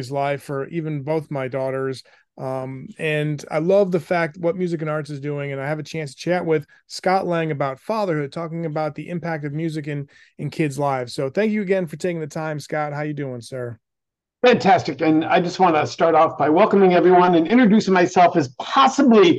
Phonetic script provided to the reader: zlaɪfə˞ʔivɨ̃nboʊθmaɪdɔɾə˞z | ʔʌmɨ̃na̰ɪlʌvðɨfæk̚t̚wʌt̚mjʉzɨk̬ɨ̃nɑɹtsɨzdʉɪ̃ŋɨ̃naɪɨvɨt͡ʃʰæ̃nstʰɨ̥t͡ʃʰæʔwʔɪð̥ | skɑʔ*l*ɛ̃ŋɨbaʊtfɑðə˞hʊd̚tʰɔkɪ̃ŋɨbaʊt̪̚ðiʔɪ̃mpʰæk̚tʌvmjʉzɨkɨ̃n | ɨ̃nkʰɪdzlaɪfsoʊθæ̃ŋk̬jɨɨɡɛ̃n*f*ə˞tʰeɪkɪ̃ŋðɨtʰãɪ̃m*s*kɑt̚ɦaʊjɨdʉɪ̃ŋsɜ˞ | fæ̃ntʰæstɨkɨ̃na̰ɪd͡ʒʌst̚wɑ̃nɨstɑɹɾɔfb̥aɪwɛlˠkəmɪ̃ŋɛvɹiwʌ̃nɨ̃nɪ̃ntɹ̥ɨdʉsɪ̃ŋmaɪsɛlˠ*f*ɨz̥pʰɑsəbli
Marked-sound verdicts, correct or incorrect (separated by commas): correct, correct, correct, correct